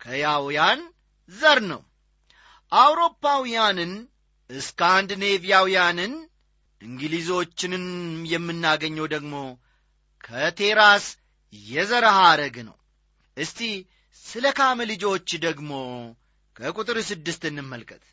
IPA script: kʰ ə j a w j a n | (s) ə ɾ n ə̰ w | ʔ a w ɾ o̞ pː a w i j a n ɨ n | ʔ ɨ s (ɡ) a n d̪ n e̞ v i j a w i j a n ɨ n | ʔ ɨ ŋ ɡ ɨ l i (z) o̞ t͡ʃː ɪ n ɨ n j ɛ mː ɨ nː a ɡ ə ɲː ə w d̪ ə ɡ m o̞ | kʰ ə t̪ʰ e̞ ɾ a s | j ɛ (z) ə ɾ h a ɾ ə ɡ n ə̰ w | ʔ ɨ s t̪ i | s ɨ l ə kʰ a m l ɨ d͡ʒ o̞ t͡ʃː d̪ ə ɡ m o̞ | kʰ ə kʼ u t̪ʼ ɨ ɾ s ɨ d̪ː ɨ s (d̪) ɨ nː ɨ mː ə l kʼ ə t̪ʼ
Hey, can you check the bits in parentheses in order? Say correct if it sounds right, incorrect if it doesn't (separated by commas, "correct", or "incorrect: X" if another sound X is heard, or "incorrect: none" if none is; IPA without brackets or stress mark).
incorrect: z, incorrect: k, correct, correct, incorrect: t̪